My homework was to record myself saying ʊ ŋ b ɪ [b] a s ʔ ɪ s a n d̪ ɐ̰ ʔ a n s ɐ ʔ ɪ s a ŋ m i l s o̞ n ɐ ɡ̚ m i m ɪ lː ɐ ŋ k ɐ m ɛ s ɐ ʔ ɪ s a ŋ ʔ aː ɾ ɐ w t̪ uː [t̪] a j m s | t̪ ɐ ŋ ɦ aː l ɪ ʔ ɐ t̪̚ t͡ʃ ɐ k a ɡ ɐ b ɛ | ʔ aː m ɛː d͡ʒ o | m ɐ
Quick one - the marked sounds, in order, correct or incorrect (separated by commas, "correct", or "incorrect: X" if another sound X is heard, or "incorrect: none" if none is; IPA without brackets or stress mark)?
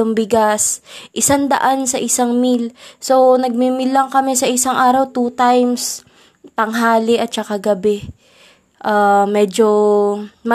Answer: incorrect: ɡ, correct